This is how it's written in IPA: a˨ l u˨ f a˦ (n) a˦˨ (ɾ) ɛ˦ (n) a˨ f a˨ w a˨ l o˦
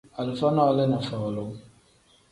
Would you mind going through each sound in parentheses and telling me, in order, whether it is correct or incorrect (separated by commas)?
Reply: correct, incorrect, correct